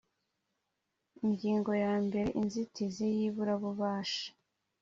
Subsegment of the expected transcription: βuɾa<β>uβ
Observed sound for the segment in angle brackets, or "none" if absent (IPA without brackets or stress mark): β